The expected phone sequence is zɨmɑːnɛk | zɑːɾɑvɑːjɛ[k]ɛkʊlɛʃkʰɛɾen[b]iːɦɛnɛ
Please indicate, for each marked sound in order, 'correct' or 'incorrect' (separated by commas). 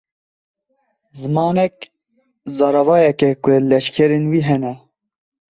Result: correct, incorrect